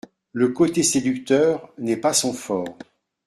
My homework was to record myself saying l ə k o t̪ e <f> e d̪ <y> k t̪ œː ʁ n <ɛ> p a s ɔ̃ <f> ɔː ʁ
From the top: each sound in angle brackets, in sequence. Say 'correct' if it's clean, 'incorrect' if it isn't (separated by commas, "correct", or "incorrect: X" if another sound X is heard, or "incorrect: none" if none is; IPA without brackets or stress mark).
incorrect: s, correct, correct, correct